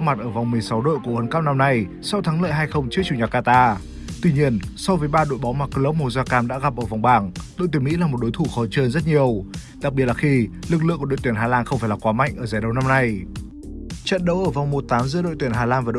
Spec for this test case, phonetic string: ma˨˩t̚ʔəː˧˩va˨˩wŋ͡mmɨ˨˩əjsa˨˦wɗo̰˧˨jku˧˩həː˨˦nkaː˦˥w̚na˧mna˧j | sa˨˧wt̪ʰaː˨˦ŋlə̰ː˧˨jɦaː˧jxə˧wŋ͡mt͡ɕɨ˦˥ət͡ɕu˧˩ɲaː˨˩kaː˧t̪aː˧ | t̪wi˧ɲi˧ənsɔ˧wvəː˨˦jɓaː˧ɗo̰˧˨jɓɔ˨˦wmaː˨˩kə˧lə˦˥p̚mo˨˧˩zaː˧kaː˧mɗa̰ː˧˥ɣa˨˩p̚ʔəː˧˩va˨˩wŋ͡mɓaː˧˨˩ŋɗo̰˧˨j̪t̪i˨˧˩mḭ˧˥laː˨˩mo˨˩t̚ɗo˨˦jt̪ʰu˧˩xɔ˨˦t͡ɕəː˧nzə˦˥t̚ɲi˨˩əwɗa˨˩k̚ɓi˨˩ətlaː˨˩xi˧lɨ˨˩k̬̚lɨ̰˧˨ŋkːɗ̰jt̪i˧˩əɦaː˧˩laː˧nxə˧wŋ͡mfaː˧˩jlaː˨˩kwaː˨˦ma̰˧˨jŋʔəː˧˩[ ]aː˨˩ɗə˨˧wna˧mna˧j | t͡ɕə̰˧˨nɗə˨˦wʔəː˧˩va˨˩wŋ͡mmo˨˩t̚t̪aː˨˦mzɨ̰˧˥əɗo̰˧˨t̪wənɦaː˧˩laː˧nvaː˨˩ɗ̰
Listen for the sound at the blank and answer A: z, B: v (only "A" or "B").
A